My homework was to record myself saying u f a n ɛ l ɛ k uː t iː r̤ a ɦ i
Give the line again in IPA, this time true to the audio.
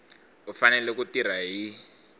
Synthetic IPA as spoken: u f a n ɛ l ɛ k u t i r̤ a ɦ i